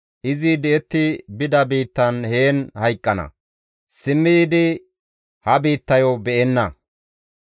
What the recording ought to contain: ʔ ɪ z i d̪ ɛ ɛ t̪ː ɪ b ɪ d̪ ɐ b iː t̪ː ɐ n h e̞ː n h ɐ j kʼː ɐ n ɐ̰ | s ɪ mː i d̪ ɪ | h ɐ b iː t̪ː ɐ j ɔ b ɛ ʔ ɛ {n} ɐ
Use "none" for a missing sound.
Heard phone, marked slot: nː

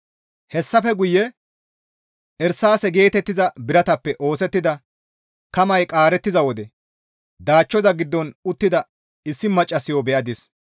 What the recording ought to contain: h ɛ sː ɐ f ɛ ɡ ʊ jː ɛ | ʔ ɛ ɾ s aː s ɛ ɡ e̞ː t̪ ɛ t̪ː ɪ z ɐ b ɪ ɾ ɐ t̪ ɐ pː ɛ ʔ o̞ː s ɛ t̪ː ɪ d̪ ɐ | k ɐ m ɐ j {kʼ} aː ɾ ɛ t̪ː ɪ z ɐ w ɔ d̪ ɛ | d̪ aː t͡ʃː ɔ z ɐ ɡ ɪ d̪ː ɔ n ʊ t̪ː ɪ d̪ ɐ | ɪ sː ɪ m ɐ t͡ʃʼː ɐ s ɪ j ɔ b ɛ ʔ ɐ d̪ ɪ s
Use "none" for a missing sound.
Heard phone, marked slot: kʼ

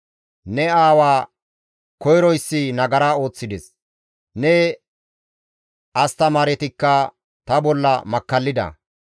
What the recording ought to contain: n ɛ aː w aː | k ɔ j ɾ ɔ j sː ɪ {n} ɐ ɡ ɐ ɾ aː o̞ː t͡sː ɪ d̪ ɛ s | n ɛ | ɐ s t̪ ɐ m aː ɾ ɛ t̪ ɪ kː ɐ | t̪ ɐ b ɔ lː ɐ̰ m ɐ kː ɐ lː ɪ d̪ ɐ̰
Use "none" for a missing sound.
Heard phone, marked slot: n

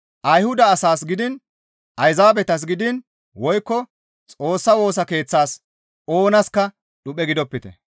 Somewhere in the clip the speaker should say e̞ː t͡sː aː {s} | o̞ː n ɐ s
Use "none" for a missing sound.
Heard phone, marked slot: s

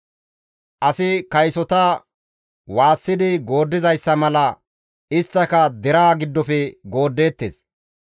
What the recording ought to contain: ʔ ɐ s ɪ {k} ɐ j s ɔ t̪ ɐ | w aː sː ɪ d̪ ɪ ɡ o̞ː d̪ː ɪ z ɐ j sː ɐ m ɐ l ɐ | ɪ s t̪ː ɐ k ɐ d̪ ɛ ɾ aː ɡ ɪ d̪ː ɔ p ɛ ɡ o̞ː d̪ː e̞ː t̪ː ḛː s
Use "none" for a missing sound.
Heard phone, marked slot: k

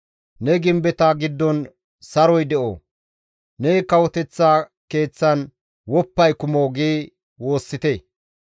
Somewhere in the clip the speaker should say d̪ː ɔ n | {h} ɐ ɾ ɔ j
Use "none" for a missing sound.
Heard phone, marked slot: s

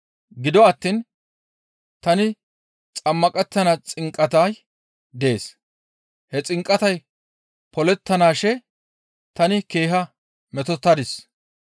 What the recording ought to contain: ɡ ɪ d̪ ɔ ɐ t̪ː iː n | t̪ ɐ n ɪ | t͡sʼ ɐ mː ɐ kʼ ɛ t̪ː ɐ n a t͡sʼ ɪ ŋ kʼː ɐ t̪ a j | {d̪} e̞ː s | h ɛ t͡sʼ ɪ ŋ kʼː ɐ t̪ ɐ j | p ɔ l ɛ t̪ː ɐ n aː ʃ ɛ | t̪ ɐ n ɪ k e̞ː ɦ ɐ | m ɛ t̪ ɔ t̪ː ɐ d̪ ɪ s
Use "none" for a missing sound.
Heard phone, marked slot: d̪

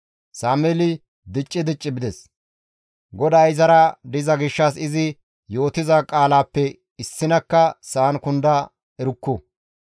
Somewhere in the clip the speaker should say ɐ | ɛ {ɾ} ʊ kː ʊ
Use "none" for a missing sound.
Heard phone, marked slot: ɾ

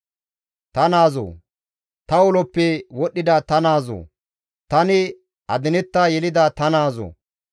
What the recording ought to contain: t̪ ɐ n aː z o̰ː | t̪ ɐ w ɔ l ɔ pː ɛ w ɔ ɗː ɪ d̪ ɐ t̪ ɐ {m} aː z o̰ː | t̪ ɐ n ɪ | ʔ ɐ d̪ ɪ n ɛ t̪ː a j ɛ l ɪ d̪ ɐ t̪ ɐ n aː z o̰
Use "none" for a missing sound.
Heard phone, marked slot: n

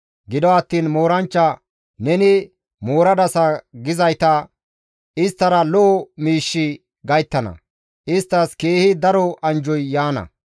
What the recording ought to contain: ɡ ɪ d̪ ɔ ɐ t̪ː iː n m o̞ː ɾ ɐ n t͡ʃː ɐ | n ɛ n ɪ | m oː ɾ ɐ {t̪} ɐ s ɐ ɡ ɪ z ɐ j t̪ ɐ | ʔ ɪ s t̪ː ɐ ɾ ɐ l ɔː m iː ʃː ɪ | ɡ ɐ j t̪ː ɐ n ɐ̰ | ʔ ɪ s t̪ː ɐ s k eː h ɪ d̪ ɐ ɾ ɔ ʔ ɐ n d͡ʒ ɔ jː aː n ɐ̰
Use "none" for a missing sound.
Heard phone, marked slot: d̪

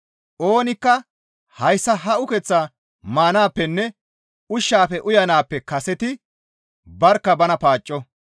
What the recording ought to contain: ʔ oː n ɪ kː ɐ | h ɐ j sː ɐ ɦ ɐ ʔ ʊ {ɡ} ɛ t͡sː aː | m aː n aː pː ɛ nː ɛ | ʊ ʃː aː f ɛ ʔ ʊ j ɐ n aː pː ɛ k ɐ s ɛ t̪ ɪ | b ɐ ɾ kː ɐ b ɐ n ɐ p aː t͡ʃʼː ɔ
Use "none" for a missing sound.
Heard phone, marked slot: k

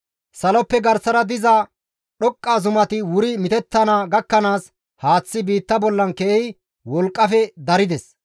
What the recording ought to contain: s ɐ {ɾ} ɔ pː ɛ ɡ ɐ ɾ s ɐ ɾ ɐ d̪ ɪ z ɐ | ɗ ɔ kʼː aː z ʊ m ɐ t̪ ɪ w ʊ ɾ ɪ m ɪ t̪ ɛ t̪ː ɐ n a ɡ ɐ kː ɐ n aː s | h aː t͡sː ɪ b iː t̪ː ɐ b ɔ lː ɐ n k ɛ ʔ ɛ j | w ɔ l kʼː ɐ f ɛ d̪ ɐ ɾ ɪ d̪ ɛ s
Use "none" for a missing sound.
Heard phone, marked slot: l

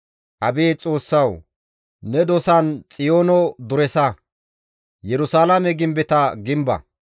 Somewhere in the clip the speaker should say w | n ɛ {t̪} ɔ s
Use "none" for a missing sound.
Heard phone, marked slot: d̪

